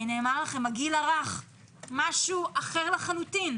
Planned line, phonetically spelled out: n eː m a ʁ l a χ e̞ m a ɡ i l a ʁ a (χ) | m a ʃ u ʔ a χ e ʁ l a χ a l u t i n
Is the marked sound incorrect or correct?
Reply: correct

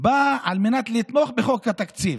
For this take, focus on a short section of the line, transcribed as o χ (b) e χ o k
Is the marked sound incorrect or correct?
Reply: correct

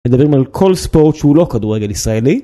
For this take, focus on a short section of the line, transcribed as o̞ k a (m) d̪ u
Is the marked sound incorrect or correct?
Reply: incorrect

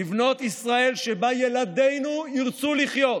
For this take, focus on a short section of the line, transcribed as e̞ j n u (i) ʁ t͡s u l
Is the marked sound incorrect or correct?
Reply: correct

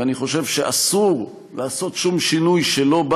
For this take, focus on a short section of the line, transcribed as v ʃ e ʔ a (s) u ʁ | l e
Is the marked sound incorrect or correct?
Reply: correct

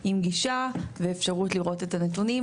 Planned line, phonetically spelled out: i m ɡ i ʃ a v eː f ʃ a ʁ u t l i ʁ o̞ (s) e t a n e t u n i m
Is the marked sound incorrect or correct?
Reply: incorrect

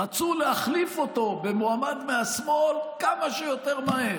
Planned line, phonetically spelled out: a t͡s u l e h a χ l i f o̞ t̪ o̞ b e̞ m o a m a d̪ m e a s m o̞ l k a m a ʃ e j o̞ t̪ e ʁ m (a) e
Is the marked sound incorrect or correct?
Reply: correct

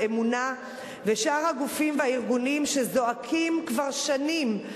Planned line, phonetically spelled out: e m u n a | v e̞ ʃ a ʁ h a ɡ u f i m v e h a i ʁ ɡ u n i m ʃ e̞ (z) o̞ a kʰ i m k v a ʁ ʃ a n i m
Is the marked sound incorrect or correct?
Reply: correct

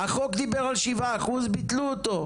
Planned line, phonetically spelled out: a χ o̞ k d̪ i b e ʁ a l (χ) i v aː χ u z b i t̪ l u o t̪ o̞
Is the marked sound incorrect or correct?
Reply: incorrect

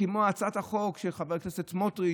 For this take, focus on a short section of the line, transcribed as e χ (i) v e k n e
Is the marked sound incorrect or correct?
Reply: incorrect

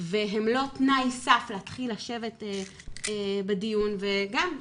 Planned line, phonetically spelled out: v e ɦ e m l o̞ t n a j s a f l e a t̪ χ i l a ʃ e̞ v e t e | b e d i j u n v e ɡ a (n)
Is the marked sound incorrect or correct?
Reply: incorrect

